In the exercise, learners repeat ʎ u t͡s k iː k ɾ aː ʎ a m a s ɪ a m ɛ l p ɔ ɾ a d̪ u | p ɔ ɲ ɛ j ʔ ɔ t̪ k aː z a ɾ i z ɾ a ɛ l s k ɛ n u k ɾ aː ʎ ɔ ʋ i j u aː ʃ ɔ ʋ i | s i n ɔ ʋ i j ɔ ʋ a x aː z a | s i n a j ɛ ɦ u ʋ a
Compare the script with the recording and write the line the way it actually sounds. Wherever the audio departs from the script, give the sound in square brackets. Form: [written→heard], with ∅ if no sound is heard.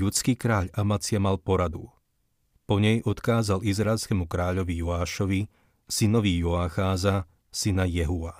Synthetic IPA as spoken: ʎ u t͡s k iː k ɾ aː ʎ a m a [s→t͡s] ɪ a m [ɛ→a] l p ɔ ɾ a d̪ u | p ɔ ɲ ɛ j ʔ ɔ t̪ k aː z a [ɾ→l] i z ɾ a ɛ l s k ɛ [n→m] u k ɾ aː ʎ ɔ ʋ i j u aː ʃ ɔ ʋ i | s i n ɔ ʋ i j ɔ [ʋ→∅] a x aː z a | s i n a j ɛ ɦ u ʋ a